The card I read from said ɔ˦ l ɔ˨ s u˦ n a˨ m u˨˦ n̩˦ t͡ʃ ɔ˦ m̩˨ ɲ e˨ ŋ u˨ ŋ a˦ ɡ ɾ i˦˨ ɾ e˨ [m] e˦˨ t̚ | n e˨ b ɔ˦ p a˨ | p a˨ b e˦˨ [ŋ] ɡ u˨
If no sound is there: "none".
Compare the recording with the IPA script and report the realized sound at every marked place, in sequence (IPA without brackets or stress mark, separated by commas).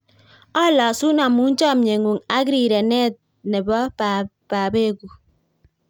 n, none